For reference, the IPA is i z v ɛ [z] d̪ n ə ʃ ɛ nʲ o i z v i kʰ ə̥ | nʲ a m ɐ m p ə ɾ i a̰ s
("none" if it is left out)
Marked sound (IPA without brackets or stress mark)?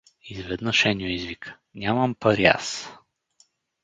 none